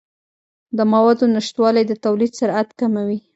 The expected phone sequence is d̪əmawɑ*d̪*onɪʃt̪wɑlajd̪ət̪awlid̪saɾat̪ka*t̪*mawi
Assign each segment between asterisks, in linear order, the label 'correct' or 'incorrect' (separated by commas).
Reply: correct, incorrect